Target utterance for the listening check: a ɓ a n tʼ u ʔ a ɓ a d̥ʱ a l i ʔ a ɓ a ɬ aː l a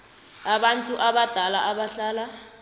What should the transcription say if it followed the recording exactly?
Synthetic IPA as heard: a ɓ a n tʼ u ʔ a ɓ a d̥ʱ a l a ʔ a ɓ a ɬ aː l a